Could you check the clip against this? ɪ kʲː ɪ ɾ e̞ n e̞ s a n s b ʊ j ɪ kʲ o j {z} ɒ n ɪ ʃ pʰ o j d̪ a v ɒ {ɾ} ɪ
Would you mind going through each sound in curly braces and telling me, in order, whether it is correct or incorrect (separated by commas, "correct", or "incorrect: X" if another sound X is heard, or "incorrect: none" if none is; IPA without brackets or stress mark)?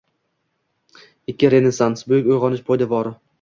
incorrect: ʁ, correct